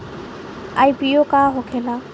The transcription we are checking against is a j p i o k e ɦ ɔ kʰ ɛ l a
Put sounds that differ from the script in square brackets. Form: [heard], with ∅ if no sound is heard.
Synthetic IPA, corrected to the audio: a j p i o k [a] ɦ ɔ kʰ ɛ l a